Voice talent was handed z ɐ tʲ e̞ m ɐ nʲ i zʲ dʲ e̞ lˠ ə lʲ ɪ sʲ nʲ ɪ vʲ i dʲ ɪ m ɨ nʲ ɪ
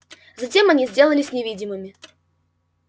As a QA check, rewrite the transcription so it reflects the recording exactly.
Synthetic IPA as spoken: z ɐ tʲ e̞ m ɐ nʲ i zʲ dʲ e̞ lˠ ə lʲ ɪ sʲ nʲ ɪ vʲ i dʲ ɪ m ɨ mʲ ɪ